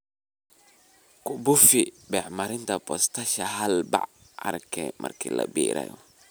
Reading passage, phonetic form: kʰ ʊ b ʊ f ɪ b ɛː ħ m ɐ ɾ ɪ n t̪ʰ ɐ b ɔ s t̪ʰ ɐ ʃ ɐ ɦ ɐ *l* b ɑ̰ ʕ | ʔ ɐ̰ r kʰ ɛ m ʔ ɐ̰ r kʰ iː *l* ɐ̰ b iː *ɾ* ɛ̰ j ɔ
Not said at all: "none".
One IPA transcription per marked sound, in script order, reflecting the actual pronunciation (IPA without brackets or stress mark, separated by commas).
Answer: l, l, ɾ